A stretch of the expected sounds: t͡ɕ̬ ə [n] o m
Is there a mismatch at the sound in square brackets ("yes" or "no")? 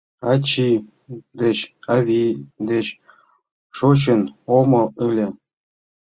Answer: no